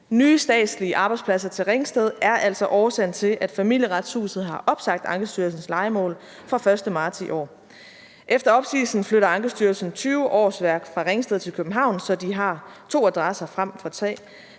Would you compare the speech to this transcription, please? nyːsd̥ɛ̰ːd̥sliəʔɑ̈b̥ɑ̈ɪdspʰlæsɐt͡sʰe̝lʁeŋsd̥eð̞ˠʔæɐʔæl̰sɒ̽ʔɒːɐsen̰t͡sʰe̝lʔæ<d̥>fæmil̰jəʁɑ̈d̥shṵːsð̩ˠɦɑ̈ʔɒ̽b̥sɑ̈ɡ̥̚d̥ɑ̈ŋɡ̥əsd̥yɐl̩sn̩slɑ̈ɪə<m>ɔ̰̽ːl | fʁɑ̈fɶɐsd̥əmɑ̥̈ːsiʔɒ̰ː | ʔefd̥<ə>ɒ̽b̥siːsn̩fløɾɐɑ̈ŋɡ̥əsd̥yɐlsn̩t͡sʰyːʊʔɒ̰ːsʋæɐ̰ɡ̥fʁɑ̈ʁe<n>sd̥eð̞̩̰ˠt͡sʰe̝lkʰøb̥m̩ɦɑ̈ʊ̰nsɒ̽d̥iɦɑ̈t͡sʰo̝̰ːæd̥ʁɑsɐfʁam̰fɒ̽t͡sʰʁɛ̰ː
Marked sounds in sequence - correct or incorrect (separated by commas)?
correct, correct, incorrect, incorrect